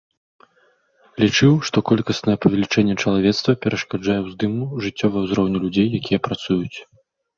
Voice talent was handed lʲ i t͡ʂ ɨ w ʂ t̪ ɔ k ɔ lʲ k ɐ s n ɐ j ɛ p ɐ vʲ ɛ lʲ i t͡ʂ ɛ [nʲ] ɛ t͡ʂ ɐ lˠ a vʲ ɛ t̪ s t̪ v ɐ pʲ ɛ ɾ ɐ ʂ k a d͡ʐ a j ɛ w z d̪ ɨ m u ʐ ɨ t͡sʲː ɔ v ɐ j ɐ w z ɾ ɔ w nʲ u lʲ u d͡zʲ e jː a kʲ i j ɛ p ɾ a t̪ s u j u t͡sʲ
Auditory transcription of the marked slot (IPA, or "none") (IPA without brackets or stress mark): nʲː